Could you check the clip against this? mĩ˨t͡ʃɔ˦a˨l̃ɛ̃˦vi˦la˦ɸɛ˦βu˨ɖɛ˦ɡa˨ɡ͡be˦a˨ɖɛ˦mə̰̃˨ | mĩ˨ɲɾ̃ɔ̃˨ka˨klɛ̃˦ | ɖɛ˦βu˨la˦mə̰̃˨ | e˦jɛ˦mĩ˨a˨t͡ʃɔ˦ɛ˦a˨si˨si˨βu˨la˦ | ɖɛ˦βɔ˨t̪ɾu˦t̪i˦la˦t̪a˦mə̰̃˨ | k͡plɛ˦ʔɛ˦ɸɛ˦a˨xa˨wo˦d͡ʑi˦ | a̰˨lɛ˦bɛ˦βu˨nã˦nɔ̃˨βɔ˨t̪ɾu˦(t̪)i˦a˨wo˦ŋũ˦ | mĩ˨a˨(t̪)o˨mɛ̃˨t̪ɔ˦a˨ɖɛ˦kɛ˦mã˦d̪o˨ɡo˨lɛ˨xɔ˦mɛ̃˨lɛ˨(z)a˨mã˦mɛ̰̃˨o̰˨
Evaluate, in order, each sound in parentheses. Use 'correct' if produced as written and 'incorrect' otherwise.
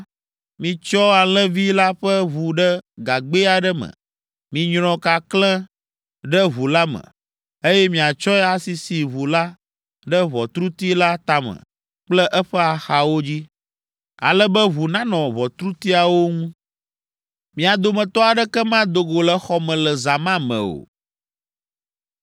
correct, incorrect, correct

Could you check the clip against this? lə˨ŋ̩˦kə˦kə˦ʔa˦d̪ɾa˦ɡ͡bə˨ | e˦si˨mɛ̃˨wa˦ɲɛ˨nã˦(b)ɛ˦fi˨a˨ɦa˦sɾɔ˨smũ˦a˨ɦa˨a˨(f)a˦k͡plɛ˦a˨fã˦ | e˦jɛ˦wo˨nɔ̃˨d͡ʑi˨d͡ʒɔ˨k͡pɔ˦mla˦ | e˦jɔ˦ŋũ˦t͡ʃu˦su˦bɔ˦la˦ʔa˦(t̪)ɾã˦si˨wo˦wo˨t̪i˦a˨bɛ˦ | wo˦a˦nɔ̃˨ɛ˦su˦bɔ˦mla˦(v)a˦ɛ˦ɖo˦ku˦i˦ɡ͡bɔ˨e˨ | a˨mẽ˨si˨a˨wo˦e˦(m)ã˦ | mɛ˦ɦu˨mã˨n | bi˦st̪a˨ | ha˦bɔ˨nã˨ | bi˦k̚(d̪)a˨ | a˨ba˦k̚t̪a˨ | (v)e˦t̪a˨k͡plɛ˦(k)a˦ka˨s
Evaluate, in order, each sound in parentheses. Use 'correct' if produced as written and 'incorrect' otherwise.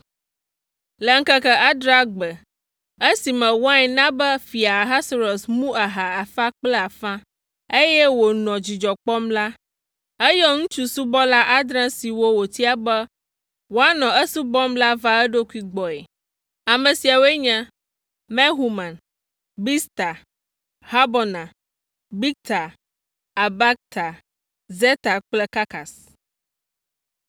correct, correct, incorrect, correct, incorrect, incorrect, incorrect, correct

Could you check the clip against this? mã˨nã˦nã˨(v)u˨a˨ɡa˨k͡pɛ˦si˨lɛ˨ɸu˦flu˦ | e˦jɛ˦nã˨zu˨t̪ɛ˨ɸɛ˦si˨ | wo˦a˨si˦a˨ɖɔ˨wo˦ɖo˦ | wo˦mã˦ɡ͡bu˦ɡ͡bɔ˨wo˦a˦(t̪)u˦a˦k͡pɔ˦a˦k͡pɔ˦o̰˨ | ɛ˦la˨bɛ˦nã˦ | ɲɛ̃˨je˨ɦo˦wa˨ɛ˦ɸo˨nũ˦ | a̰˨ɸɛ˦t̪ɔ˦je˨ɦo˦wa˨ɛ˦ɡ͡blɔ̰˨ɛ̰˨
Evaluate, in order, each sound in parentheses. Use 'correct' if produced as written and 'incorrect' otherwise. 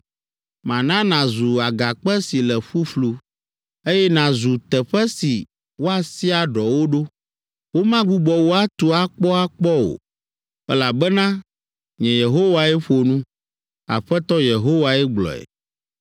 incorrect, correct

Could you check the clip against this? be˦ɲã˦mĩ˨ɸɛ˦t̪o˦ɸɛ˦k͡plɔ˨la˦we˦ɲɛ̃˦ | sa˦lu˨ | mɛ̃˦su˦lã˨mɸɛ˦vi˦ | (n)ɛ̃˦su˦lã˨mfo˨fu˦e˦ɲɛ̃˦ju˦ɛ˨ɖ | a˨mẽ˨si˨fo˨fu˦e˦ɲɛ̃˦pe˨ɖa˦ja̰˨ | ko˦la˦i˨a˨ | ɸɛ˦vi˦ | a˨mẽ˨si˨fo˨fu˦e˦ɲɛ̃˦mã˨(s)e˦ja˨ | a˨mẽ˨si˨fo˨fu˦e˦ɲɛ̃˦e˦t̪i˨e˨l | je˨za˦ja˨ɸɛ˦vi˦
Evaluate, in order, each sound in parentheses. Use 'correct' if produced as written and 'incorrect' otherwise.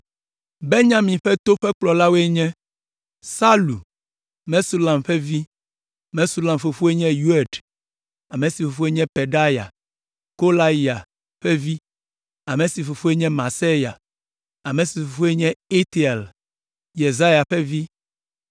incorrect, correct

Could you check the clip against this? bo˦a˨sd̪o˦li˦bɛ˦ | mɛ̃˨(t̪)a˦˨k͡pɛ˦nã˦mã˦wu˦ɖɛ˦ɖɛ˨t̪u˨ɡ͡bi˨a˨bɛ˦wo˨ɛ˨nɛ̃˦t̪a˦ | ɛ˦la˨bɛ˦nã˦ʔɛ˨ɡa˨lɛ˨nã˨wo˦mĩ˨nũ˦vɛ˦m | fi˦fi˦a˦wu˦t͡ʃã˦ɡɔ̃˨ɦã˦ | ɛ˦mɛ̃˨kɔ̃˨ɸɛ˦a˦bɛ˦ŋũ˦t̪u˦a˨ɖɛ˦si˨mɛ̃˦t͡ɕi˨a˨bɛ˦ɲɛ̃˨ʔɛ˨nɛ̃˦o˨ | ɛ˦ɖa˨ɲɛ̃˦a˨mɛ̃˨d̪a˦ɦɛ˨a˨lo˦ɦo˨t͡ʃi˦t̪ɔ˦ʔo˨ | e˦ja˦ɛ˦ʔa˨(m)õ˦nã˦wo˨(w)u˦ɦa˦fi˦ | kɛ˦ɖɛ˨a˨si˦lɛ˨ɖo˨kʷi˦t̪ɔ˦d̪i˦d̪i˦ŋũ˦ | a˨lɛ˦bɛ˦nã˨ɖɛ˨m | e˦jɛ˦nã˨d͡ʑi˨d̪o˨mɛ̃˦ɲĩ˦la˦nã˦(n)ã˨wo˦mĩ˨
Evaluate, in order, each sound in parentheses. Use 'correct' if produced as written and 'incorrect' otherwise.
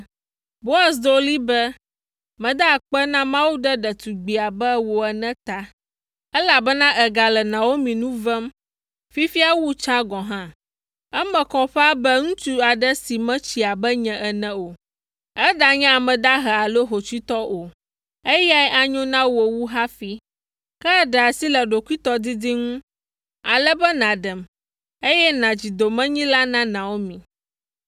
incorrect, incorrect, correct, correct

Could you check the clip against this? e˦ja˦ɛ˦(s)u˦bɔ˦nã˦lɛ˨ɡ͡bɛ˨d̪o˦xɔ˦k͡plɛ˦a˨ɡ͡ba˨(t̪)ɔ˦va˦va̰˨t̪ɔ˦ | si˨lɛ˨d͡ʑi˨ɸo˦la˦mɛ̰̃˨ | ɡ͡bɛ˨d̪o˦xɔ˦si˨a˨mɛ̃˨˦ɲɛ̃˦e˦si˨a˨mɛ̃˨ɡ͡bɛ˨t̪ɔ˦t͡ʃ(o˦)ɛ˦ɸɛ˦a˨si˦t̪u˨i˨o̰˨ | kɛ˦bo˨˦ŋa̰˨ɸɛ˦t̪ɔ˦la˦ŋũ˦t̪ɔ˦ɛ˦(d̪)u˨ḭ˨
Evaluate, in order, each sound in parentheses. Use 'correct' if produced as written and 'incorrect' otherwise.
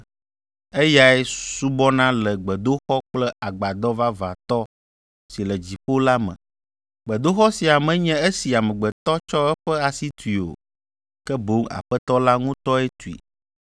correct, incorrect, incorrect, incorrect

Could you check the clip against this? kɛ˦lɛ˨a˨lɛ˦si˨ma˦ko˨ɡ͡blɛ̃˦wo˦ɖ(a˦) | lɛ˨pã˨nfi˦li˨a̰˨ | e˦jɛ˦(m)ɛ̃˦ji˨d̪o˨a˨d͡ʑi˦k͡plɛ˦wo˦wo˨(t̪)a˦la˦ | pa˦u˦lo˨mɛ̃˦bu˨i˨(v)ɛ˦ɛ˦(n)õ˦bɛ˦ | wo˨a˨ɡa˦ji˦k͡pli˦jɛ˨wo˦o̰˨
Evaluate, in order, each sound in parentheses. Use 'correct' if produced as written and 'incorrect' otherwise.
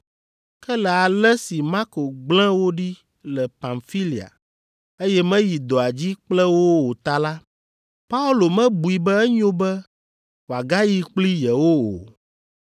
incorrect, correct, correct, incorrect, incorrect

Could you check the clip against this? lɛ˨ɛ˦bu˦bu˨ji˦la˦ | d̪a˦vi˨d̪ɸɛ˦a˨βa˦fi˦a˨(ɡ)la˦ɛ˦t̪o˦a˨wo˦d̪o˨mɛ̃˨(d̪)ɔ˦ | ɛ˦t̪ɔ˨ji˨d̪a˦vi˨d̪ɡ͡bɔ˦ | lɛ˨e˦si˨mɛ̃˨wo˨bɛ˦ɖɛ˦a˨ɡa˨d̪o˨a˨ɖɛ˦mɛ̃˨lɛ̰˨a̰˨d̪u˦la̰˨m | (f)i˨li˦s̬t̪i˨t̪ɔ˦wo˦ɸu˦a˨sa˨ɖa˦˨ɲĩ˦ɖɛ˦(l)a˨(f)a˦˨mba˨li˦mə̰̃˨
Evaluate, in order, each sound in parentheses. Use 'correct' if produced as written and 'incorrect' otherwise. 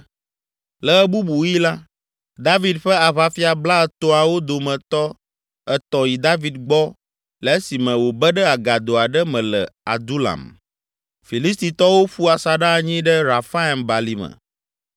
incorrect, incorrect, correct, incorrect, correct

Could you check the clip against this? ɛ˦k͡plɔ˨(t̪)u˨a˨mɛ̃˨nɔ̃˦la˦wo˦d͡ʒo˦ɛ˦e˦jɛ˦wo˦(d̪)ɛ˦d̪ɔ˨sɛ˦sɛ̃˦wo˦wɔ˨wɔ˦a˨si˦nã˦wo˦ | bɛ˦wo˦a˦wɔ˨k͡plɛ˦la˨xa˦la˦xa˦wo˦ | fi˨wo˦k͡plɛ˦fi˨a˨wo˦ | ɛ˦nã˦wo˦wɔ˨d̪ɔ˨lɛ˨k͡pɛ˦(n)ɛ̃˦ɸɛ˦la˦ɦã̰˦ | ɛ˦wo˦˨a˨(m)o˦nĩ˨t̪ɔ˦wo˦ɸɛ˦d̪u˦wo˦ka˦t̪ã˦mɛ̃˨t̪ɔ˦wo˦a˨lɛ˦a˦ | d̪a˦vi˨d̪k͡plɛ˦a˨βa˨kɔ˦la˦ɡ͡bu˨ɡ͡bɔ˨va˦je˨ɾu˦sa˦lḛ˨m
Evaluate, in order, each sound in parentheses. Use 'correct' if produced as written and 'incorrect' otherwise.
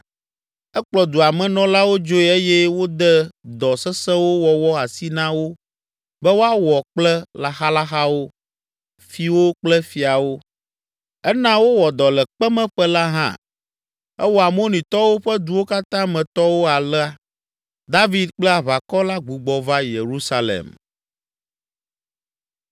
incorrect, correct, incorrect, correct

